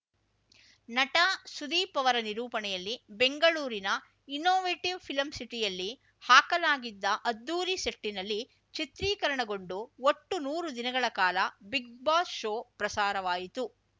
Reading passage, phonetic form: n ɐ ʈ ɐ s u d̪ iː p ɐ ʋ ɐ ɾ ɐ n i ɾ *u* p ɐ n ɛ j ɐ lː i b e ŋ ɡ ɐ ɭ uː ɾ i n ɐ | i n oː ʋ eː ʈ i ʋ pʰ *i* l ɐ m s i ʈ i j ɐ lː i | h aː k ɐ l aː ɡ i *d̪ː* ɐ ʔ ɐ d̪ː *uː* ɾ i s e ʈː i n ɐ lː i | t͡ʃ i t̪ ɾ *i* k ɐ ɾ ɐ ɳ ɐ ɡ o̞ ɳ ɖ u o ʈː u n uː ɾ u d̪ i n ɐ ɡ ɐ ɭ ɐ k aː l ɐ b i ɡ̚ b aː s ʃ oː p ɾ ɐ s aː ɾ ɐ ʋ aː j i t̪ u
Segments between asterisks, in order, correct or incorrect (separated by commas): incorrect, correct, correct, correct, incorrect